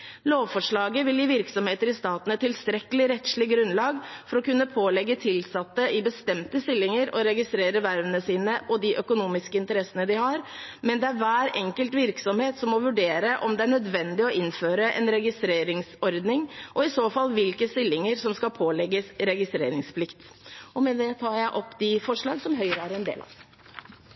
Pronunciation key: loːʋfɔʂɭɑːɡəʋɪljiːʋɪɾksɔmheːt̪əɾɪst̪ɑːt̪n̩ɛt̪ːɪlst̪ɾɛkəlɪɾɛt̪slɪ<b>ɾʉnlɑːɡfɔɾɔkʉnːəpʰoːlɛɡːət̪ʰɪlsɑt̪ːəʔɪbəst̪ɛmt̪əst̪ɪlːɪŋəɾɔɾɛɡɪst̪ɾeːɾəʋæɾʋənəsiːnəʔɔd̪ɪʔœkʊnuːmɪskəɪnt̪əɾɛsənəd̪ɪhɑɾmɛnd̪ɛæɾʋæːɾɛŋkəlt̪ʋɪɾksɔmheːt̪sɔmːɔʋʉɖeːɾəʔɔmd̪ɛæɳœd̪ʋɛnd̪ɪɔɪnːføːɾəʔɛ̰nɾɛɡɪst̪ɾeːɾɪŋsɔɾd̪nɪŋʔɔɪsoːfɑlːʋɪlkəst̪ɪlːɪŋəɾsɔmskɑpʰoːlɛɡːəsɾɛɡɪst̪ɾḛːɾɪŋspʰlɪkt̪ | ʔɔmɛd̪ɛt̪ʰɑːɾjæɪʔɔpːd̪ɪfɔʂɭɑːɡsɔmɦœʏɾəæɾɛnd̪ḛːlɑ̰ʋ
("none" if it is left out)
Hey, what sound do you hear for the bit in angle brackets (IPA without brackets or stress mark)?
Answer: ɡ